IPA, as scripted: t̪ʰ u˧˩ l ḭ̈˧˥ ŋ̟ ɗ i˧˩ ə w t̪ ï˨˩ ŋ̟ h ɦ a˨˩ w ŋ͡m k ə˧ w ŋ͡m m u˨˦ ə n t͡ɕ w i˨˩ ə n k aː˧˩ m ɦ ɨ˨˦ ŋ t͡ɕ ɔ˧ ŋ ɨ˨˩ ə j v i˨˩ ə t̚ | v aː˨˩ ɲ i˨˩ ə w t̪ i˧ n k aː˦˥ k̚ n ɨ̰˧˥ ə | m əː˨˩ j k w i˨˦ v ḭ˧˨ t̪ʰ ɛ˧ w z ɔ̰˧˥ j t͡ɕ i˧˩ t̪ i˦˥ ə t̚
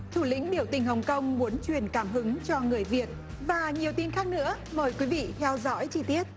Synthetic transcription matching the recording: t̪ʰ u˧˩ l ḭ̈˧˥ ŋ̟ ɗ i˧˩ ə w t̪ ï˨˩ ŋ̟ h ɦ ə˨˩ w ŋ͡m k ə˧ w ŋ͡m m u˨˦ ə n t͡ɕ w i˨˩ ə n k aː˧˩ m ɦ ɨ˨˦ ŋ t͡ɕ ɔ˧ ŋ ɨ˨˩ ə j v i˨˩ ə t̚ | v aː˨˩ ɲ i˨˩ ə w t̪ i˧ n x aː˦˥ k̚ n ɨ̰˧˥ ə | m əː˨˩ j k w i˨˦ v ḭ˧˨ t̪ʰ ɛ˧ w z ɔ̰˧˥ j t͡ɕ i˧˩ t̪ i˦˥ ə t̚

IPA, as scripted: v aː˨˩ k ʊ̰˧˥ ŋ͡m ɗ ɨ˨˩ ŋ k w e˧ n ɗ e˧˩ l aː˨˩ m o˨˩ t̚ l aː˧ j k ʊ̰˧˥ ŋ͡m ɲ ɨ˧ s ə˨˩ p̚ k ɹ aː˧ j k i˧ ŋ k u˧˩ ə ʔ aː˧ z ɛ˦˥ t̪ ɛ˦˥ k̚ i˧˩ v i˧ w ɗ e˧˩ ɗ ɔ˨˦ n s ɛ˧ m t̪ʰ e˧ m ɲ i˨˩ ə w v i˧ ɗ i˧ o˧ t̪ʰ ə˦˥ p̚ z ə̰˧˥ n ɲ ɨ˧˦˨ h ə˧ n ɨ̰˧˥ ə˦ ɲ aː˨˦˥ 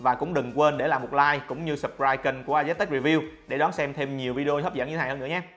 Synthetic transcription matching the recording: v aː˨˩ k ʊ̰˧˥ ŋ͡m ɗ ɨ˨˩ ŋ k w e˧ n ɗ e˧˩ l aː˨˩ m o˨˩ t̚ l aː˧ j k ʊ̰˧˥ ŋ͡m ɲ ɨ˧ s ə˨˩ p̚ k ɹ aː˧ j k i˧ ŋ k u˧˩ ə ʔ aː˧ z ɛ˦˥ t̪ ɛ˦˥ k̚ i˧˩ v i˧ w ɗ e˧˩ ɗ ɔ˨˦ n s ɛ˧ m t̪ʰ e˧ m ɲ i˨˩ ə w v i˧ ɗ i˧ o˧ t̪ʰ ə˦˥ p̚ z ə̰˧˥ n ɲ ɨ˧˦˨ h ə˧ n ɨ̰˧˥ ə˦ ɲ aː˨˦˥

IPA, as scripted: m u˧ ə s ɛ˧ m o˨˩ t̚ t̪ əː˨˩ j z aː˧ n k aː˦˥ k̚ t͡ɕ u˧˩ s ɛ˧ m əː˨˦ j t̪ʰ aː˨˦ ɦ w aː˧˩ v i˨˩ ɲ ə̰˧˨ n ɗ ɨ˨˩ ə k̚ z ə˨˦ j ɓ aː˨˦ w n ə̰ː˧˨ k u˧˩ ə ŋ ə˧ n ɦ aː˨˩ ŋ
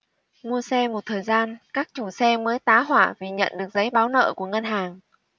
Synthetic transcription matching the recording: m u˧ ə s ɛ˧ m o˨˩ t̚ t̪ʰ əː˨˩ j z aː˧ n k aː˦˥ k̚ t͡ɕ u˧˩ s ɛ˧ m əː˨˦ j t̪ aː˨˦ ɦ w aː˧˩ v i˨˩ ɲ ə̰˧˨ n ɗ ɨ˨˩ ə k̚ z ə˨˦ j ɓ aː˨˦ w n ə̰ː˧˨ k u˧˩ ə ŋ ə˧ n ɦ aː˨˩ ŋ

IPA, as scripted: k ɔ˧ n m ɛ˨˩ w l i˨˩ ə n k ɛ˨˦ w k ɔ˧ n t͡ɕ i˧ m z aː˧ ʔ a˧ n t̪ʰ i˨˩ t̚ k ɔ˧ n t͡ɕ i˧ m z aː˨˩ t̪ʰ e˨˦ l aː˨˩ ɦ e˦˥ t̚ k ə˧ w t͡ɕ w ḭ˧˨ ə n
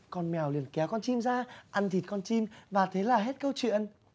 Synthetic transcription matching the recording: k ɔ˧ n m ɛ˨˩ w l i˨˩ ə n k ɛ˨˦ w k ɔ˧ n t͡ɕ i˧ m z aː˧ ʔ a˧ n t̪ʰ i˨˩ t̚ k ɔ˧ n t͡ɕ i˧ m v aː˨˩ t̪ʰ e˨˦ l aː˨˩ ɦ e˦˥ t̚ k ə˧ w t͡ɕ w ḭ˧˨ ə n

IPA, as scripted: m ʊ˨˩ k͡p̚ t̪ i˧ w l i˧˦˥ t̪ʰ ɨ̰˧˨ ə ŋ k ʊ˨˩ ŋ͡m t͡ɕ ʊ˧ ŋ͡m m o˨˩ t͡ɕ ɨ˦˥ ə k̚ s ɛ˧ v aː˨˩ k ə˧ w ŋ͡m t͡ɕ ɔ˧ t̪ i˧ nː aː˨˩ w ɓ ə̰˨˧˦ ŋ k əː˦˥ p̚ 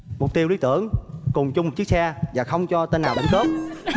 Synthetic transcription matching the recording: m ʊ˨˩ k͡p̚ t̪ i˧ w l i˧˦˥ t̪ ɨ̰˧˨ ə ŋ k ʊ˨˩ ŋ͡m t͡ɕ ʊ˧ ŋ͡m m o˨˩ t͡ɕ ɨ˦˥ ə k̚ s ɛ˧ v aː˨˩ x ə˧ w ŋ͡m t͡ɕ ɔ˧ t̪ e˧ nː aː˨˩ w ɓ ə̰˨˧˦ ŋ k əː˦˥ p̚

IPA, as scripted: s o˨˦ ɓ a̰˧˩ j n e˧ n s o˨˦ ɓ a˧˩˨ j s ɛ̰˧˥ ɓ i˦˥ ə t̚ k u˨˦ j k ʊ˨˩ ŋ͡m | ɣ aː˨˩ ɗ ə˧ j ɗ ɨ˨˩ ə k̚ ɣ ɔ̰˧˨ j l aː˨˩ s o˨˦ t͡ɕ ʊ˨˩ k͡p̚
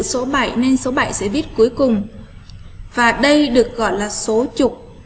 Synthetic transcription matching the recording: s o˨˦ ɓ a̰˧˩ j n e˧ n s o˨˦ ɓ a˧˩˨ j s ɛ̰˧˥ ɓ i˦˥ ə t̚ k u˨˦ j k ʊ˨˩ ŋ͡m | v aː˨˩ ɗ ə˧ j ɗ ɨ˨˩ ə k̚ ɣ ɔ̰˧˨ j l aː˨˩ s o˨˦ t͡ɕ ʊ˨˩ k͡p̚

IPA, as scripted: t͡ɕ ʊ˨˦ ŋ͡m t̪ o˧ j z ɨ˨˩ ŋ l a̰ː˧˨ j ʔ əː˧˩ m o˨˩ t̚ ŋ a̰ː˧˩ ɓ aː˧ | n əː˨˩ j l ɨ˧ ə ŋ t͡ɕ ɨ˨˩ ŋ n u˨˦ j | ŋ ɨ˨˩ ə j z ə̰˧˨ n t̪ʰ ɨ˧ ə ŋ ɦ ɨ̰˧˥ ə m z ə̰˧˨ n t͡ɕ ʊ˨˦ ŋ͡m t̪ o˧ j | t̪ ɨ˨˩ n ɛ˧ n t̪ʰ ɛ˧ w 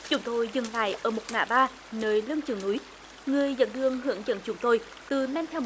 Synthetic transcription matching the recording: t͡ɕ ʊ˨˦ ŋ͡m t̪ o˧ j z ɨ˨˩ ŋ l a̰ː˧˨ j ʔ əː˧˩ m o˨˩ t̚ ŋ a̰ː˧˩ ɓ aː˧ | n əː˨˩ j l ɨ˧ ə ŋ t͡ɕ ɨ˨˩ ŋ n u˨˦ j | ŋ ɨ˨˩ ə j z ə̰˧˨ n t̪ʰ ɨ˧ ə ŋ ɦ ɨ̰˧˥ ə ŋ z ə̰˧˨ n t͡ɕ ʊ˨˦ ŋ͡m t̪ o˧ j | t̪ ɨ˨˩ n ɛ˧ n t̪ʰ ɛ˧ w

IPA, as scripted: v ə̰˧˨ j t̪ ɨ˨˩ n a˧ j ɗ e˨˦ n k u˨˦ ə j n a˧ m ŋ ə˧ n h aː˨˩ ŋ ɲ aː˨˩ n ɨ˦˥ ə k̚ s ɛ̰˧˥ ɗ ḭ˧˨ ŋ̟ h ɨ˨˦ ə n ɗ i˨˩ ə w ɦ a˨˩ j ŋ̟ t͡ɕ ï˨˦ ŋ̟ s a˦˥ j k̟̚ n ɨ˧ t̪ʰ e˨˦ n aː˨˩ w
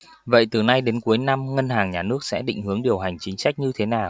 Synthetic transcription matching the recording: v ə̰˧˨ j t̪ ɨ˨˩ n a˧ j ɗ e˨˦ n k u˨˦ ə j n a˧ m ŋ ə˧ n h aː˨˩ ŋ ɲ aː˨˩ n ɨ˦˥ ə k̚ s ɛ̰˧˥ ɗ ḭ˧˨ ŋ̟ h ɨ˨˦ ə ŋ ɗ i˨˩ ə w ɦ a˨˩ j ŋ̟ t͡ɕ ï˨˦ ŋ̟ s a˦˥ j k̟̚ ɲ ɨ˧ t̪ʰ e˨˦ n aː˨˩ w

